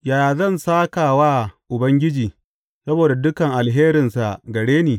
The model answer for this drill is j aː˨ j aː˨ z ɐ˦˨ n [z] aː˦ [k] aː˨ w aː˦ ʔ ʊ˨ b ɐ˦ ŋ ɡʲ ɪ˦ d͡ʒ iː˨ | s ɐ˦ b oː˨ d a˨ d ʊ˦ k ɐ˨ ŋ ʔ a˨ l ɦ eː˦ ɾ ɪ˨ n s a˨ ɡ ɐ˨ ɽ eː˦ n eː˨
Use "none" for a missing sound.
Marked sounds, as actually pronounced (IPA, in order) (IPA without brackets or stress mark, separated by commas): s, k